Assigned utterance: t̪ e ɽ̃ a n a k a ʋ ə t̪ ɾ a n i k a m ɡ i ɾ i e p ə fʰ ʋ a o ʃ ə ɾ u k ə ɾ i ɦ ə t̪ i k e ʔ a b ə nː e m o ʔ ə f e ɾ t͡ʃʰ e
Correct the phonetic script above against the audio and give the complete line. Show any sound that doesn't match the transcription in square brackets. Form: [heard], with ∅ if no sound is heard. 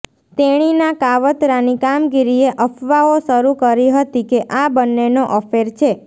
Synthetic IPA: t̪ e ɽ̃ [i] n a k a ʋ ə t̪ ɾ a n i k a m ɡ i ɾ i e [ʔ] ə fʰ ʋ a o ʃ ə ɾ u k ə ɾ i ɦ ə t̪ i k e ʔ a b ə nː e [n] o ʔ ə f e ɾ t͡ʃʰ e